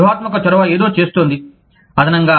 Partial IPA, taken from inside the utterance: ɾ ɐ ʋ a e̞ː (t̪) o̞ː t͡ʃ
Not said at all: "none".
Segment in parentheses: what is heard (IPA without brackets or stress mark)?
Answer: d̪